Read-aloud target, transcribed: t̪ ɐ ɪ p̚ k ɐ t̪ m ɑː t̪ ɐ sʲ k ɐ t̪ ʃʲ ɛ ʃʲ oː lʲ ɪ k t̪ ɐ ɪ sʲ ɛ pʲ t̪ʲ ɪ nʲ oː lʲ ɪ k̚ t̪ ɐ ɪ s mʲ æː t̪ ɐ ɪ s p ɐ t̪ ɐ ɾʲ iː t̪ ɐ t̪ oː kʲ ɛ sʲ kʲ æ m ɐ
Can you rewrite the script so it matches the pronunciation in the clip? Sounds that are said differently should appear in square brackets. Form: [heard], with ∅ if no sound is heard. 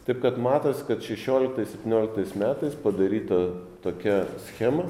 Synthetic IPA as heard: t̪ ɐ ɪ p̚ k ɐ t̪ m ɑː t̪ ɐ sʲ k ɐ t̪ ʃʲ ɛ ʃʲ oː lʲ ɪ k t̪ ɐ ɪ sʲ ɛ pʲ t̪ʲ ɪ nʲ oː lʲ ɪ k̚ t̪ ɐ ɪ s mʲ æː t̪ ɐ ɪ s p ɐ [d̪] ɐ ɾʲ iː t̪ ɐ t̪ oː kʲ ɛ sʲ [xʲ] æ m ɐ